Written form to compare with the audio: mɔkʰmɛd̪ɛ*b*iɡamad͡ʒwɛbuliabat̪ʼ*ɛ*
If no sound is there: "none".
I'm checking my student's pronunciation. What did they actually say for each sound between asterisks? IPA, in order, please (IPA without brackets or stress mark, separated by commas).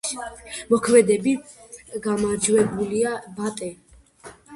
b, ɛ